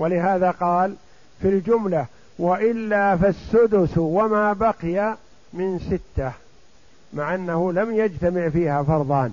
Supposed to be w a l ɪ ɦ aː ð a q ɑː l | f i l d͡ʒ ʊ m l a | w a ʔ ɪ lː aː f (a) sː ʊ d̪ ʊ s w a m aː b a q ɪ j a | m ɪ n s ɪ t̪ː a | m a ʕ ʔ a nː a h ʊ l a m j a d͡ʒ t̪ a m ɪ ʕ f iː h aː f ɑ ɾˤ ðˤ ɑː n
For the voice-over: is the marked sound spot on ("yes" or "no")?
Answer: yes